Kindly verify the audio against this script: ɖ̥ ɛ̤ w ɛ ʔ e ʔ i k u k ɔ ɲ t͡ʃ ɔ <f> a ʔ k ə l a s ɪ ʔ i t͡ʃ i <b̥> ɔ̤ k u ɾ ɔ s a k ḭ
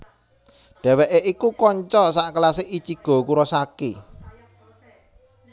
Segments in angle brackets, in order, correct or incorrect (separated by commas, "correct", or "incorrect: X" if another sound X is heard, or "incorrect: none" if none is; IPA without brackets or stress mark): incorrect: s, incorrect: ɡ̥